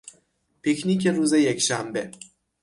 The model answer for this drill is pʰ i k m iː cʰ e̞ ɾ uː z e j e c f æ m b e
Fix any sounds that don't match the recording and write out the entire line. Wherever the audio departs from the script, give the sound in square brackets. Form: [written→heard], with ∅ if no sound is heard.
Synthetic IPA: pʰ i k [m→n] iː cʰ e̞ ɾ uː z e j e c [f→ʃ] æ m b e